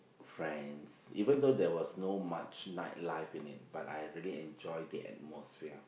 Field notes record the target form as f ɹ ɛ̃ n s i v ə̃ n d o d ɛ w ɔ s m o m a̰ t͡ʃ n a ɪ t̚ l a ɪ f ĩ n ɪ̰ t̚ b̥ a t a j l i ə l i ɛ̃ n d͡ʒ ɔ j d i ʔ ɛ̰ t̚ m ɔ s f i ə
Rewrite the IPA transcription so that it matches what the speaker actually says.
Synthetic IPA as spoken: f ɹ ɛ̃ n s i v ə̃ n d o d ɛ w ɔ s n o m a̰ t͡ʃ n a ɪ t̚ l a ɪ f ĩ n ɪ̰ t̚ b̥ a t a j ɹ i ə l i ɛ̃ n d͡ʒ ɔ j d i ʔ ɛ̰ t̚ m ɔ s f i ə